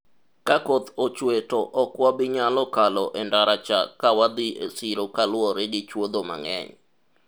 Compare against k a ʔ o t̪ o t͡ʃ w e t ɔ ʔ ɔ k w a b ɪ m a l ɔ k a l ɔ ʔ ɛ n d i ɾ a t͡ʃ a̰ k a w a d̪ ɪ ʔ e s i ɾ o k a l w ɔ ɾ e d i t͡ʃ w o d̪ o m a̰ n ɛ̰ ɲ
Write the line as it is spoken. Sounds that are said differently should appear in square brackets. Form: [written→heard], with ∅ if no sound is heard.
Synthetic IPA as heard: k a [ʔ→k] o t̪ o t͡ʃ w e t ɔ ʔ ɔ k w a b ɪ [m→ɲ] a l ɔ k a l ɔ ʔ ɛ n d [i→a] ɾ a t͡ʃ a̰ k a w a d̪ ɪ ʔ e s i ɾ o k a l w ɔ ɾ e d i t͡ʃ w o d̪ o m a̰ [n→ŋ] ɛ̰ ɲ

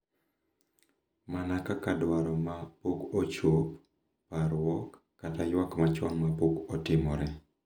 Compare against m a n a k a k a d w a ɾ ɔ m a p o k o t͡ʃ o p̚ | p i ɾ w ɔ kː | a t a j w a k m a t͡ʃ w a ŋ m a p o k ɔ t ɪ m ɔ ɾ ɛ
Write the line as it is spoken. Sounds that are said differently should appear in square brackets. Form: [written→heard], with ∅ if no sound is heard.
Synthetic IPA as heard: m a n a k a k a d w a ɾ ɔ m a p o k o t͡ʃ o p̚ | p [i→a] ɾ w ɔ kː | a t a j w a k m a t͡ʃ w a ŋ m a p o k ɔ t ɪ m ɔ ɾ ɛ

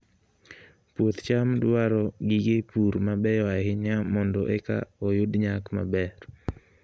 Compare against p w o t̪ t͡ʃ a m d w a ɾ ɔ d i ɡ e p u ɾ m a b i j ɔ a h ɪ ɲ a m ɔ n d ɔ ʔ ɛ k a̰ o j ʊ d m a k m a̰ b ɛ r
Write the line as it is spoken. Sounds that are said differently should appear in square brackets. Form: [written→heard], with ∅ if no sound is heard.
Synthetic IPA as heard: p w o t̪ t͡ʃ a m d w a ɾ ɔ [d→ɡ] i ɡ e p u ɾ m a b [i→ɛ] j ɔ a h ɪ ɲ a m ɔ n d ɔ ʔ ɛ k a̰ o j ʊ d [m→ɲ] a k m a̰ b ɛ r

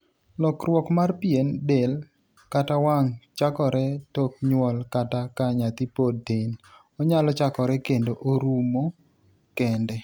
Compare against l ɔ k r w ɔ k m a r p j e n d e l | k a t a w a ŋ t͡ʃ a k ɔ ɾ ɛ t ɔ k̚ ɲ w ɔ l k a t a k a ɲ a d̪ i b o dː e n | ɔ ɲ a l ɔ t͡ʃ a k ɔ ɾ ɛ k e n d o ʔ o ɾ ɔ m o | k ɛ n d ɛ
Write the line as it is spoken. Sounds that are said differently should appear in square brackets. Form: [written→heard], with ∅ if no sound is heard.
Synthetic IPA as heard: l ɔ k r w ɔ k m a r p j e n d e l | k a t a w a ŋ t͡ʃ a k ɔ ɾ ɛ t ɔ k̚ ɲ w ɔ l k a t a k a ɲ a [d̪→t̪] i [b→p] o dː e n | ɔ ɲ a l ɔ t͡ʃ a k ɔ ɾ ɛ k e n d o ʔ o ɾ [ɔ→u] m o | k ɛ n d ɛ

